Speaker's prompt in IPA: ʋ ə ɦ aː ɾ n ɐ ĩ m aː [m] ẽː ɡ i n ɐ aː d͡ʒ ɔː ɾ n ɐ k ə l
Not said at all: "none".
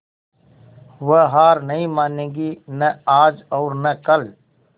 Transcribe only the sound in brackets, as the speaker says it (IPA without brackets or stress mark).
n